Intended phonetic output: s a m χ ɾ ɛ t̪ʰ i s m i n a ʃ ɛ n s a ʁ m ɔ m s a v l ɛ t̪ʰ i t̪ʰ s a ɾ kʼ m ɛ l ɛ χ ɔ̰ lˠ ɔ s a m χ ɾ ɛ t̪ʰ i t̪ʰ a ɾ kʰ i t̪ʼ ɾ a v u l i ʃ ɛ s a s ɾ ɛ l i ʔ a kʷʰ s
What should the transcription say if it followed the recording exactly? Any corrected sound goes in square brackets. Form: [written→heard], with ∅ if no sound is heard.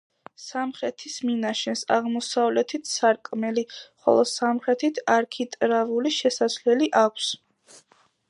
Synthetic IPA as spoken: s a m χ ɾ ɛ t̪ʰ i s m i n a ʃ ɛ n s a ʁ m ɔ [m→∅] s a v l ɛ t̪ʰ i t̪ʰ s a ɾ kʼ m ɛ l [ɛ→i] χ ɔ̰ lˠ ɔ s a m χ ɾ ɛ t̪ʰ i t̪ʰ a ɾ kʰ i t̪ʼ ɾ a v u l i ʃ ɛ s a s [ɾ→l] ɛ l i ʔ a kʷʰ s